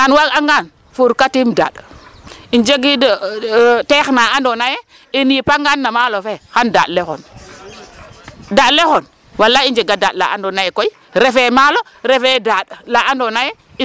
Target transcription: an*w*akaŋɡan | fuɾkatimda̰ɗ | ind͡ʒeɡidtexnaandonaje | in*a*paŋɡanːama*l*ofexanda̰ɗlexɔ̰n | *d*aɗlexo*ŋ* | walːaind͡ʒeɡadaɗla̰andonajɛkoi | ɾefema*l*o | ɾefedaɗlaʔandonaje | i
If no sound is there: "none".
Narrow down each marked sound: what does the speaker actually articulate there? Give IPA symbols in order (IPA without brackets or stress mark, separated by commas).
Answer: w, i, l, d, n, l